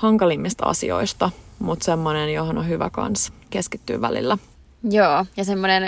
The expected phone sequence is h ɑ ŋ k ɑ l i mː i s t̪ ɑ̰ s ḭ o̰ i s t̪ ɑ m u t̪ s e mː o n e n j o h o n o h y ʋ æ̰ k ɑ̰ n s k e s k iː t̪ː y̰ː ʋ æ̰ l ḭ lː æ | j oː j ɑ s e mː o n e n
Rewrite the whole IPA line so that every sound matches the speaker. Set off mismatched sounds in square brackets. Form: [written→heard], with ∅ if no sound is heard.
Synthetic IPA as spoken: h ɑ ŋ k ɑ l i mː i s t̪ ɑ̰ s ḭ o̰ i s t̪ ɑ m u t̪ s e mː o n e n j o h o n o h y ʋ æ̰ k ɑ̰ n s k e s k [iː→i] t̪ː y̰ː ʋ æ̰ l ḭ lː æ | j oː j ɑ s e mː o n e n